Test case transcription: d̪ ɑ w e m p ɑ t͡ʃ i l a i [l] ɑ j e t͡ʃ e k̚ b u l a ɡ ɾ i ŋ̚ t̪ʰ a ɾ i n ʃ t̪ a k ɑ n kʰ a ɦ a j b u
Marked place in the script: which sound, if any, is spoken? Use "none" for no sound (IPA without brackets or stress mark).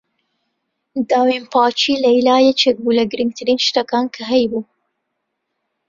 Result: l